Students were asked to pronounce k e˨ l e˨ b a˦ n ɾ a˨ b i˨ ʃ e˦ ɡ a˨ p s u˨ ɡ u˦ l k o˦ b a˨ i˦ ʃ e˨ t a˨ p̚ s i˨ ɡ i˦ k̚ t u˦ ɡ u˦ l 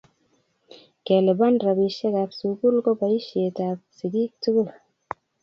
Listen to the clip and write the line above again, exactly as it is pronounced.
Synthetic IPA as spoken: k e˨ l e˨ b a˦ n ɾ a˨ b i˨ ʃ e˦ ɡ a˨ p s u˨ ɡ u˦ l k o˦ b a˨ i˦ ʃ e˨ t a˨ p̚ s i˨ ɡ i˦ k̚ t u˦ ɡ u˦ l